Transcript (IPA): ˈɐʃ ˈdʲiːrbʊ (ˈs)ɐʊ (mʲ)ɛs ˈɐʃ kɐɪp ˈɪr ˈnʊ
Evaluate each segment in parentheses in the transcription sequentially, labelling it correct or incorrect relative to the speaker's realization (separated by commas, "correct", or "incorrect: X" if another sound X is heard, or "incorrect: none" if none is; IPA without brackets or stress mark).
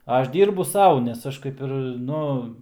correct, incorrect: nʲ